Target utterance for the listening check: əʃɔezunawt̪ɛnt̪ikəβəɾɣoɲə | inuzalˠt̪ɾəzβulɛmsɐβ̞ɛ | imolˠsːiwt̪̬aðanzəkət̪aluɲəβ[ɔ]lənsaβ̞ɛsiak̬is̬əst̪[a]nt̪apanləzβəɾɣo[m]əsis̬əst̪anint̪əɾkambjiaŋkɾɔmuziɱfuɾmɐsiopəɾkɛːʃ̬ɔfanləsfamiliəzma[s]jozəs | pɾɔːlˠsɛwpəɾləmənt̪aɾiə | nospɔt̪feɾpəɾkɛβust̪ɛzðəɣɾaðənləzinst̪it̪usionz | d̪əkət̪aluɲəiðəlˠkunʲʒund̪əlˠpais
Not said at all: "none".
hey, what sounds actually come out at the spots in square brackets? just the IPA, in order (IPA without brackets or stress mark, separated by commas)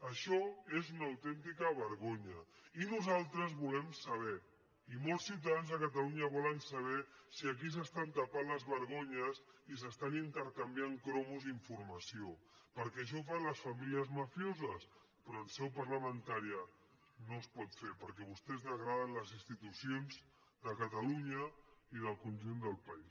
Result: ɔ, a, ɲ, f